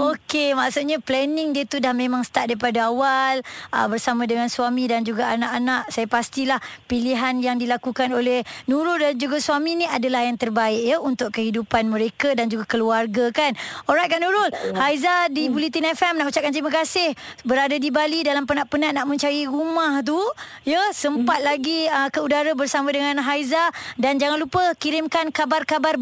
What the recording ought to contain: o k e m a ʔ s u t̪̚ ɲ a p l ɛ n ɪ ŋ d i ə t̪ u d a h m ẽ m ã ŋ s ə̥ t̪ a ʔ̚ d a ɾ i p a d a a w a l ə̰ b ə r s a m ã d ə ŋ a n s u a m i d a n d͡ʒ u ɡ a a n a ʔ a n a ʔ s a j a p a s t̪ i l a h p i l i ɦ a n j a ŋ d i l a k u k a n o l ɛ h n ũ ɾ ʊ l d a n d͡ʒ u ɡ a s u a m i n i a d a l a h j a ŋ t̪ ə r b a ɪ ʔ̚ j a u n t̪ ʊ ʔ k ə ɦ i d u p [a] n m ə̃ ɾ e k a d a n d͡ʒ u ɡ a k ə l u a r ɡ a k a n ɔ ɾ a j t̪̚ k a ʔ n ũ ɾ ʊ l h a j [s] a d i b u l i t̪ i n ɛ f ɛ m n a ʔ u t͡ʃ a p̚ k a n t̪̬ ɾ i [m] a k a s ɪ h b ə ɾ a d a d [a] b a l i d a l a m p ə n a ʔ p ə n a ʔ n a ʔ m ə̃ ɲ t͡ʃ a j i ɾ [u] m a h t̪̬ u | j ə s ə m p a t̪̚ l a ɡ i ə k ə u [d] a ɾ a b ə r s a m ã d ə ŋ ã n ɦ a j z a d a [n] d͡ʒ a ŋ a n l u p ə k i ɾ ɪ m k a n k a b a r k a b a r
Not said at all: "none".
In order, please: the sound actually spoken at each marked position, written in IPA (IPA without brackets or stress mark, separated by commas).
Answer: a, z, m, i, u, d, n